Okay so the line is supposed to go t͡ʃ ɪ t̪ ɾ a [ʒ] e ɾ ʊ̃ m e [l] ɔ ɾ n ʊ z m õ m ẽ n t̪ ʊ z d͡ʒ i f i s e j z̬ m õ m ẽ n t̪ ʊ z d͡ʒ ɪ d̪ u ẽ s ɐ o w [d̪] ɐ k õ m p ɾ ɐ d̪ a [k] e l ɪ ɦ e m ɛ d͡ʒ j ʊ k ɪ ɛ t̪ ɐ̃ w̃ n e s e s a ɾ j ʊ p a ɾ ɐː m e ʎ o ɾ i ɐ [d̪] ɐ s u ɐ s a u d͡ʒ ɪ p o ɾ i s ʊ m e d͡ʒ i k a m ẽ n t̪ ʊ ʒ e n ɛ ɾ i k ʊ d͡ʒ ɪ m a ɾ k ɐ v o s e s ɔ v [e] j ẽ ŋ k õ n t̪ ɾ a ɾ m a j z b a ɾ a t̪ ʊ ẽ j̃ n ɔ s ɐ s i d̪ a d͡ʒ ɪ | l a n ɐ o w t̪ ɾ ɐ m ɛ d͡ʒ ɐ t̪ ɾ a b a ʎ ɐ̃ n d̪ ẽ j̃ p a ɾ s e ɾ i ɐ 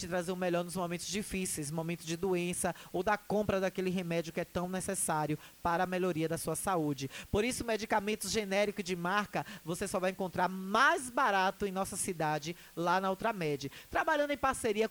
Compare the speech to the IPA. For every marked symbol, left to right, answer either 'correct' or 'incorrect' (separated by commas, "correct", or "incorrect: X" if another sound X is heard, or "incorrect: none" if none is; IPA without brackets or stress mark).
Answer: incorrect: z, incorrect: ʎ, correct, correct, correct, incorrect: a